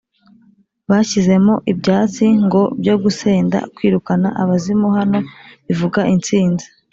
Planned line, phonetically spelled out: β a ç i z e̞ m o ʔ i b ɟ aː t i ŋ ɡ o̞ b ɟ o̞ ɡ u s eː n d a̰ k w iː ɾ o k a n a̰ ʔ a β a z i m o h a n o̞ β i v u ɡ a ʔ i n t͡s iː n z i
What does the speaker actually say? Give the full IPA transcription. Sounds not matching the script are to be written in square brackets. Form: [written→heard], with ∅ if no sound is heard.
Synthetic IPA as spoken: β a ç i z e̞ m o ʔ i b ɟ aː [t→t͡s] i ŋ ɡ o̞ b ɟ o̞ ɡ u s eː n d a̰ k w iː ɾ [o→u] k a n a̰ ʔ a β a z i m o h a n o̞ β i v u ɡ a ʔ i n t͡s iː n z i